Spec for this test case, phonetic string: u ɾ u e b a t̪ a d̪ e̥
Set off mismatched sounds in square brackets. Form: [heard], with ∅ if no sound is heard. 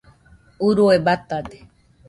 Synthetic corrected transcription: u ɾ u e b a t̪ a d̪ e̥